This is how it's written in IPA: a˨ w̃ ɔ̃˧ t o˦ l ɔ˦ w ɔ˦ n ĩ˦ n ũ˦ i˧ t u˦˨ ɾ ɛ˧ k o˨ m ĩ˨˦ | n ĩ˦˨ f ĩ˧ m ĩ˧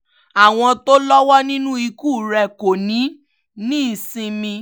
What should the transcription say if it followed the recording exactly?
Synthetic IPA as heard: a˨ w̃ ɔ̃˧ t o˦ l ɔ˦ w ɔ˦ n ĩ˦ n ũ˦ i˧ k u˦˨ ɾ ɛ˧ k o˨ n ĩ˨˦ | n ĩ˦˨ s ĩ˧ m ĩ˧